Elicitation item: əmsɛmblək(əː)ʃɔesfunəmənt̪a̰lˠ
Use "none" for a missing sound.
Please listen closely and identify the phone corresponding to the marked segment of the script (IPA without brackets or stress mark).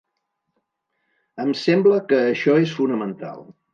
əː